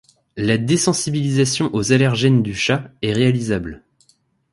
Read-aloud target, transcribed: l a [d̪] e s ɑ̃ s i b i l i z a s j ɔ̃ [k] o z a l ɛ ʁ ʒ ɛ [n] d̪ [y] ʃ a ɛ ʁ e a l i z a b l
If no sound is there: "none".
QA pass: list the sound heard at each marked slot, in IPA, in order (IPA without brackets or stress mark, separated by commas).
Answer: d̪, ʔ, n, y